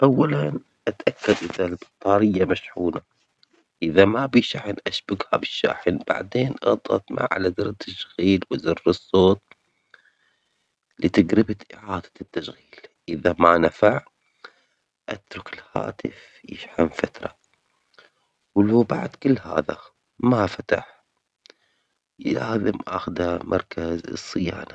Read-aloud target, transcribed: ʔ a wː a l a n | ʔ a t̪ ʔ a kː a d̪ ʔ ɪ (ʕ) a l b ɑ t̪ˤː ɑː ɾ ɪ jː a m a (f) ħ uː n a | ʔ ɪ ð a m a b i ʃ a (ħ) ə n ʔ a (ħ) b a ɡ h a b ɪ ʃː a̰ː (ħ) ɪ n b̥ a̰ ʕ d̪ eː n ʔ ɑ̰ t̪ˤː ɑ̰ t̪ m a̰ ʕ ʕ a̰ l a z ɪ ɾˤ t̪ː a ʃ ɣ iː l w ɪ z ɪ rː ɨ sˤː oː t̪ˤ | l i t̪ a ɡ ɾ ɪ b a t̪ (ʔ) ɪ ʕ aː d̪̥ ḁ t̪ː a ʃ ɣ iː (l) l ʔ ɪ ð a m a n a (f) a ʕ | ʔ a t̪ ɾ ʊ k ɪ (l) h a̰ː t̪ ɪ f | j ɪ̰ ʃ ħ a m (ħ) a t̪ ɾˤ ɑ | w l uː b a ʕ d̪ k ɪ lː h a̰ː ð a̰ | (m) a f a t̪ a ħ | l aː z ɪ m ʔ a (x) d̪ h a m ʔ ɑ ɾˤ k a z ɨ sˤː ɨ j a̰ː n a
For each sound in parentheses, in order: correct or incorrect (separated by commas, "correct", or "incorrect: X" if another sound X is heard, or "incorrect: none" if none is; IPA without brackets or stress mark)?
incorrect: ð, incorrect: ʃ, correct, incorrect: ʃ, correct, correct, correct, correct, correct, incorrect: f, correct, correct